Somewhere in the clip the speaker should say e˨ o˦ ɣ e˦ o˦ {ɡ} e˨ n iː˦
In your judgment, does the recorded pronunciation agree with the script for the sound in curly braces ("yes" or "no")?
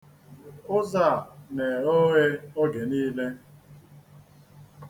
yes